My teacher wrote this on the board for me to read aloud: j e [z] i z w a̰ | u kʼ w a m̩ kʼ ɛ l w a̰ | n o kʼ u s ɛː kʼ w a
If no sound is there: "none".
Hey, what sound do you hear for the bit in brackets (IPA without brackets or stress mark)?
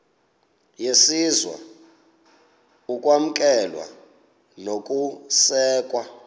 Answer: s